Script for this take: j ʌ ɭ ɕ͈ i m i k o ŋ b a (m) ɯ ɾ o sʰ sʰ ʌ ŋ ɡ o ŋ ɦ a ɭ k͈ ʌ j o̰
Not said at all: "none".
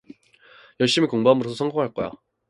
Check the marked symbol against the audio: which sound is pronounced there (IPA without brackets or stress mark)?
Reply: m